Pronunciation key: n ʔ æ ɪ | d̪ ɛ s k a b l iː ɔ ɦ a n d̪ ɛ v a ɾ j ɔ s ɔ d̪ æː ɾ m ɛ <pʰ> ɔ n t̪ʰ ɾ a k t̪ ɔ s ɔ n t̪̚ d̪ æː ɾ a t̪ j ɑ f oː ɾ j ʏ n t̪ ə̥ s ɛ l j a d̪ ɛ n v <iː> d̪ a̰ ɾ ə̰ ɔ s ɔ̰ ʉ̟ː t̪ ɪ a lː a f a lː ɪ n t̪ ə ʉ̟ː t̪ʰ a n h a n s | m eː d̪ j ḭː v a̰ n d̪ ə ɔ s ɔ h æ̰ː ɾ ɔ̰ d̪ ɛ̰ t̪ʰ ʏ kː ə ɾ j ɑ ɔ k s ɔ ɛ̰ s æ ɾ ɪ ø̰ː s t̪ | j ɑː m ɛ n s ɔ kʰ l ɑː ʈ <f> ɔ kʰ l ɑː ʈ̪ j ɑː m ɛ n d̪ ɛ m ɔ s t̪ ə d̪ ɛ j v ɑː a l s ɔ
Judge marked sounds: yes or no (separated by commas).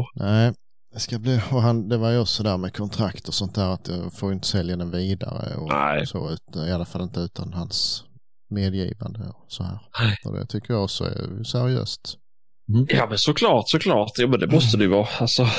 no, yes, no